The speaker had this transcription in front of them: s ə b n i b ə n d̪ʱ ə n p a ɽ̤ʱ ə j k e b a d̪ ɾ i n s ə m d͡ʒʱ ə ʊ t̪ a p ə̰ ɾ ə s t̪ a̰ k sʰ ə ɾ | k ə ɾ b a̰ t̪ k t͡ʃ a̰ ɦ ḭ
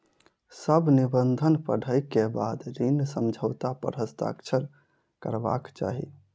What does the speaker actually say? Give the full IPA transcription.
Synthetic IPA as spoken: s ə b n i b ə n d̪ʱ ə n p ə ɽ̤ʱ ə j k e b a d̪ ɾ i n s ə m d͡ʒʱ ə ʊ t̪ a p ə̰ ɾ ə s t̪ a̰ k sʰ ə ɾ | k ə ɾ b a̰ k t͡ʃ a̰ ɦ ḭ